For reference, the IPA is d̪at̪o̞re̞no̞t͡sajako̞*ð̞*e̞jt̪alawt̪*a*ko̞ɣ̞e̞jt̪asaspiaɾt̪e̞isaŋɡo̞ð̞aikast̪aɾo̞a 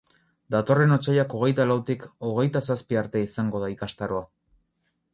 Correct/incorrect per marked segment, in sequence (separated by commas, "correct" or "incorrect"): incorrect, incorrect